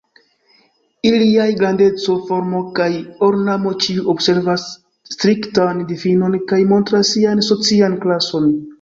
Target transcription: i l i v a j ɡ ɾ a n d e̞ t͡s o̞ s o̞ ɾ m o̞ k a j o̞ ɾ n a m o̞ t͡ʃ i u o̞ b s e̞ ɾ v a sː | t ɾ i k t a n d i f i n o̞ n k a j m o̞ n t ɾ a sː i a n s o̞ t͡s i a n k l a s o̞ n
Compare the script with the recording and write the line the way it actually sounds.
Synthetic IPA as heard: i l i a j ɡ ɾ a n d e̞ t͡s o̞ f o̞ ɾ m o̞ k a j o̞ ɾ n a m o̞ t͡ʃ i u o̞ b s e̞ ɾ v a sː | t ɾ i k t a n d i f i n o̞ n k a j m o̞ n t ɾ a sː i a n s o̞ t͡s i a n k l a s o̞ n